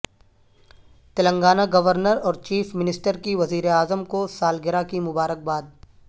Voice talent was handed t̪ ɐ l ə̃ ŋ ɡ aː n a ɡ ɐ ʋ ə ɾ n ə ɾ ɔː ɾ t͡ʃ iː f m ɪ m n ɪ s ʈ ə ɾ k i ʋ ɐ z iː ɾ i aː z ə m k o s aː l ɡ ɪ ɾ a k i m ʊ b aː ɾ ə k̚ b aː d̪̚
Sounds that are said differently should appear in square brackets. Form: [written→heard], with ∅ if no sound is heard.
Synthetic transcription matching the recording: t̪ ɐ l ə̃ ŋ ɡ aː n a ɡ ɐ ʋ ə ɾ n ə ɾ ɔː ɾ t͡ʃ iː f m ɪ [m→∅] n ɪ s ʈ ə ɾ k i ʋ ɐ z iː ɾ [i→e] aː z ə m k o s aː l ɡ ɪ ɾ a k i m ʊ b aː ɾ ə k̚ b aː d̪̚